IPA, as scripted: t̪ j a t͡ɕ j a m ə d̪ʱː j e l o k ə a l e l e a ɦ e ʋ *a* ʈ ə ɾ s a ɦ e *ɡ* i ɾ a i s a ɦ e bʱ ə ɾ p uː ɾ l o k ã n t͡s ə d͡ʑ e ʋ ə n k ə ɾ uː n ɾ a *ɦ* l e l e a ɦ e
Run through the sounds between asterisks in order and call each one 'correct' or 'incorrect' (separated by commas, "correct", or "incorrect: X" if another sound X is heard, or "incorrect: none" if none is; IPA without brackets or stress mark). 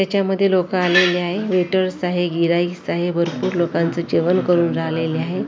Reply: incorrect: e, correct, correct